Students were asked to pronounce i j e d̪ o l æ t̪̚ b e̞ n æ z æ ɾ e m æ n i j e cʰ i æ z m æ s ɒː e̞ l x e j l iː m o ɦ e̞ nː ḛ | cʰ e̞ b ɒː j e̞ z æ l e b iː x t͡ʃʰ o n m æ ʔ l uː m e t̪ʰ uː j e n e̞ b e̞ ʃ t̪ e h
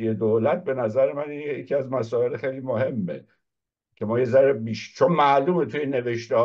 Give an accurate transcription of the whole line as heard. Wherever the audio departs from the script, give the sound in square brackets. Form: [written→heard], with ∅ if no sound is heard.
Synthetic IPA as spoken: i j e d̪ o l æ t̪̚ b e̞ n æ z æ ɾ e m æ n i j e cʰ i æ z m æ s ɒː e̞ l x e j l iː m o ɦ e̞ [nː→mː] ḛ | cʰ e̞ [b→m] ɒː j e̞ z æ [l→ɾ] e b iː [x→ʃ] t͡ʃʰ o n m æ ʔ l uː m e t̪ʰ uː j e n e̞ [b→v] e̞ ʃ t̪ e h